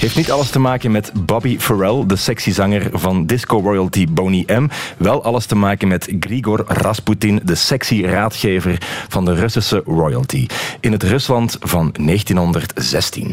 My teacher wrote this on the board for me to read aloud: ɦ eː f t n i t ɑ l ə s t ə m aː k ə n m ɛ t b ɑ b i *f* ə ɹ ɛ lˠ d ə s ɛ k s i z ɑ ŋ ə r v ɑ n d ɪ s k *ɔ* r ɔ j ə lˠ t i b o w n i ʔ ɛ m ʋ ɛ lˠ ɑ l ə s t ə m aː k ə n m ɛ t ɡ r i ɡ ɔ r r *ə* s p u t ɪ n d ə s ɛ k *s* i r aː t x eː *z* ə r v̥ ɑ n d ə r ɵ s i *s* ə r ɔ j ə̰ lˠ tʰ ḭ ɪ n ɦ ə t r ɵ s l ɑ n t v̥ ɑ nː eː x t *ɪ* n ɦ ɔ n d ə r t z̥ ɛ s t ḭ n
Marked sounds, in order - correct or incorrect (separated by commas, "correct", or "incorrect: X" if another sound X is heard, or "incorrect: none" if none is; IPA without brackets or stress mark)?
correct, incorrect: o, incorrect: ɑ, correct, incorrect: v, correct, incorrect: i